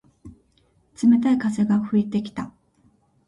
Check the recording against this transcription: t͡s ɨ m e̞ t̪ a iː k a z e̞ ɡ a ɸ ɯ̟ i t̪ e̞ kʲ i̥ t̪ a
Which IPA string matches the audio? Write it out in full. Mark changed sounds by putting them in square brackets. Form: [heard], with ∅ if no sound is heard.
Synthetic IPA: t͡s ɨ m e̞ t̪ a [i] k a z e̞ ɡ a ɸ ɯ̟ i t̪ e̞ kʲ i̥ t̪ a